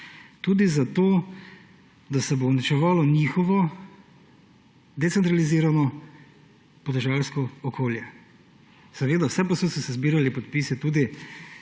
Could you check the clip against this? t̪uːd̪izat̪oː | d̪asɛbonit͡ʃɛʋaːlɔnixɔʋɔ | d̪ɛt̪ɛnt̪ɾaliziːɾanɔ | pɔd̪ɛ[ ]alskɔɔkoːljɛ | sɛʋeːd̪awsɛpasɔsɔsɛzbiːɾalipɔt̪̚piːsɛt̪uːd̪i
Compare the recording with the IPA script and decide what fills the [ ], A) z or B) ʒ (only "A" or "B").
B